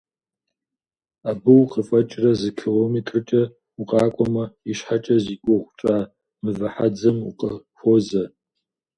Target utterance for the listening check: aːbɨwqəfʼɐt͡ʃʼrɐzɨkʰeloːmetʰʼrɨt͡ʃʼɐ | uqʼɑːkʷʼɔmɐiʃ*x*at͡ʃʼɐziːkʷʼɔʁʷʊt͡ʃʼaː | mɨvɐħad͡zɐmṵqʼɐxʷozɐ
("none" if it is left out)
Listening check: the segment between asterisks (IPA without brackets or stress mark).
ħ